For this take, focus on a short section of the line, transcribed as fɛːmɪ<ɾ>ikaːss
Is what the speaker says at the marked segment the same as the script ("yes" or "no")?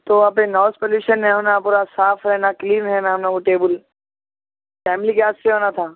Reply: no